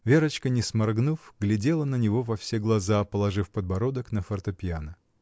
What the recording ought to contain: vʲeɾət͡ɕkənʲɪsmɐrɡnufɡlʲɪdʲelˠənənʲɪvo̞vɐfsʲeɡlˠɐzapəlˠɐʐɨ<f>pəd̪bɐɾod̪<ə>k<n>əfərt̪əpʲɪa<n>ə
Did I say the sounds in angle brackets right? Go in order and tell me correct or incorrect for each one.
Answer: correct, correct, correct, correct

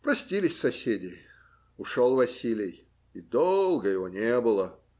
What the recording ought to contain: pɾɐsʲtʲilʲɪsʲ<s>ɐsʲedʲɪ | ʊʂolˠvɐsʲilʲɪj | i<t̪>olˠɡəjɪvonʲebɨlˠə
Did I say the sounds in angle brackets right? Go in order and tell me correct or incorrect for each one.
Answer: correct, incorrect: d̪

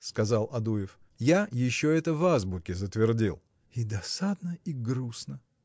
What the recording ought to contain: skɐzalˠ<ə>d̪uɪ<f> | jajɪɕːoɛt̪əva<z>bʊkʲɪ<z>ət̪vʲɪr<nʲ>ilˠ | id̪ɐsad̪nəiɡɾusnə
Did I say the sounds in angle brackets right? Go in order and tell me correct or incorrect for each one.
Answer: incorrect: ɐ, correct, correct, correct, incorrect: dʲ

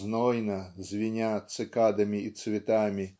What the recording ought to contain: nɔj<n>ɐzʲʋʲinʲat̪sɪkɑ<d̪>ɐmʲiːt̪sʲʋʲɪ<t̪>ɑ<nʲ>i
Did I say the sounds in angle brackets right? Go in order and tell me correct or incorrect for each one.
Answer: correct, correct, correct, incorrect: mʲ

